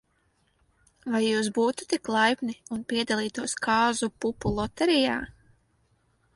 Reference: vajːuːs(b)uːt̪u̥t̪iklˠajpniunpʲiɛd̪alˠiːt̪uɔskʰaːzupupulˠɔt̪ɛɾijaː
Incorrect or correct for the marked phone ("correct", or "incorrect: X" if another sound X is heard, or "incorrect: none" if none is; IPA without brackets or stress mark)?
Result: correct